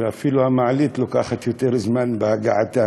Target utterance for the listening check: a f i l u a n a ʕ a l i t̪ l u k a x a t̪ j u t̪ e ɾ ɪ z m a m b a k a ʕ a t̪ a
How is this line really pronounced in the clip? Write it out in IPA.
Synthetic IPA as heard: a f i l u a m a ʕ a l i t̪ l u k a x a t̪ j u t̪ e ɾ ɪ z m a n b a ɡ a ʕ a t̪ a